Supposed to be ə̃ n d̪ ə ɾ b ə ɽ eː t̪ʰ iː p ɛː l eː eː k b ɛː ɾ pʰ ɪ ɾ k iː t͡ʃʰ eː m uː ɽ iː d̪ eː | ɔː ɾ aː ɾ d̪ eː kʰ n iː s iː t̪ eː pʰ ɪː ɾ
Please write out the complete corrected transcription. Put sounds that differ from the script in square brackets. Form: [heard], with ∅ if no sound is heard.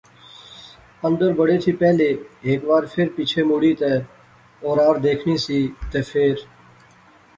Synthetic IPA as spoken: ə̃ n d̪ ə ɾ b ə ɽ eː t̪ʰ iː p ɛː l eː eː k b [aː] ɾ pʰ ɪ ɾ [p] iː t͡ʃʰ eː m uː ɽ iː [t̪] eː | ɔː ɾ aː ɾ d̪ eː kʰ n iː s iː t̪ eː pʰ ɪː ɾ